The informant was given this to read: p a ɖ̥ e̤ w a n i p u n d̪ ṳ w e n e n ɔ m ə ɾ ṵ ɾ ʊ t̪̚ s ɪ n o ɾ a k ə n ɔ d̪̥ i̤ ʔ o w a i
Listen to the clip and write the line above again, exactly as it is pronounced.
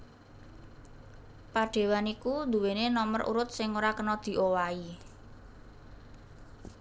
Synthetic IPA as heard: p a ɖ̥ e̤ w a n i k u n d̪ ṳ w e n e n ɔ m ə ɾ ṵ ɾ ʊ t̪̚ s ɪ ŋ o ɾ a k ə n ɔ d̪̥ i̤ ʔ o w a i